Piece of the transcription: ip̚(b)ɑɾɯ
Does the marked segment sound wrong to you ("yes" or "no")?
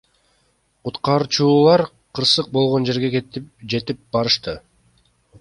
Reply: no